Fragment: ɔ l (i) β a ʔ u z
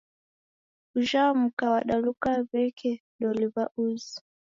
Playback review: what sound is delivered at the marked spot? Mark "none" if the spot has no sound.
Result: i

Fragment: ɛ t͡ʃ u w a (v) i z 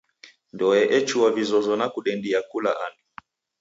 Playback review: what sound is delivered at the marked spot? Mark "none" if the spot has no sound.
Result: v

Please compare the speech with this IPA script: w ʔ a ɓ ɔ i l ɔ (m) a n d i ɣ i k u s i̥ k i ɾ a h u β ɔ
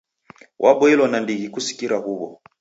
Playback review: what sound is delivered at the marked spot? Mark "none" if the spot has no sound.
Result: n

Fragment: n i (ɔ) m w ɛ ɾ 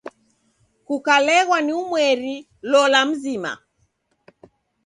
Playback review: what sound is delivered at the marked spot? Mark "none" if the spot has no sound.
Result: u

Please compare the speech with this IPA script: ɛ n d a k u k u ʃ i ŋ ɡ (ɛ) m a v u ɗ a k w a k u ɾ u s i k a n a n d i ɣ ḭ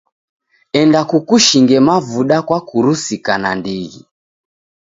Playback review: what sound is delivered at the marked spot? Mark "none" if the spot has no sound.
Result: ɛ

